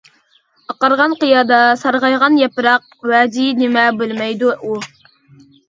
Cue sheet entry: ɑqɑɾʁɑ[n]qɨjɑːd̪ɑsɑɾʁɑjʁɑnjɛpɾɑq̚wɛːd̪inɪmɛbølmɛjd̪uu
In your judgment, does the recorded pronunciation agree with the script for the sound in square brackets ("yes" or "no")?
yes